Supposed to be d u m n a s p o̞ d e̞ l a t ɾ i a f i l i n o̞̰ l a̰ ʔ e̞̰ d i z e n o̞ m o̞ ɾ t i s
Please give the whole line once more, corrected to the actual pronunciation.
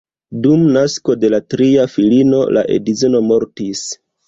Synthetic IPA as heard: d u m n a s k o̞ d e̞ l a t ɾ i a f i l i n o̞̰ l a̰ ʔ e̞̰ d i z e n o̞ m o̞ ɾ t i s